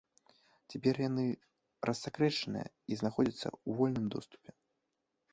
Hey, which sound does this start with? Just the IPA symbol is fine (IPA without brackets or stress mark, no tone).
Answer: t͡sʲ